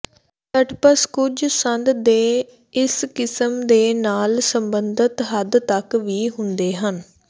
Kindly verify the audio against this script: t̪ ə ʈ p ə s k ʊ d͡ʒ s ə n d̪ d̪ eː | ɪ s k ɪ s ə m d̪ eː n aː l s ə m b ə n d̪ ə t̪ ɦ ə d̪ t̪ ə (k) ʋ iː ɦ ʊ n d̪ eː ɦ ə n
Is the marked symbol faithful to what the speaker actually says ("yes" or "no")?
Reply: yes